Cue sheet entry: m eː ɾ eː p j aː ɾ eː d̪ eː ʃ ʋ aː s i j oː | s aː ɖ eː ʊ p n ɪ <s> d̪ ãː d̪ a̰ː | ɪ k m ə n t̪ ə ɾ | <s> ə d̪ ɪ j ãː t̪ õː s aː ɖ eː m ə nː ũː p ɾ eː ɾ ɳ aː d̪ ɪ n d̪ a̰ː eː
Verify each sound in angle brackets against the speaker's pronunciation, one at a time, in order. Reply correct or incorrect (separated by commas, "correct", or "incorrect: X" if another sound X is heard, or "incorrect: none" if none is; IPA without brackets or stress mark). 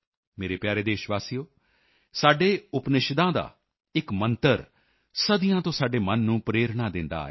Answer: incorrect: ʃ, correct